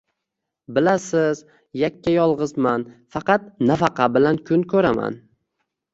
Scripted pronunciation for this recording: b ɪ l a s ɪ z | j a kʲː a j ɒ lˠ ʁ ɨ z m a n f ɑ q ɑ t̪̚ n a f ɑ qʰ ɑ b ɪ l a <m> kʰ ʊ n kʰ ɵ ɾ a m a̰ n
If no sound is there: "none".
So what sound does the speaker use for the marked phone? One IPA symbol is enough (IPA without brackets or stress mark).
n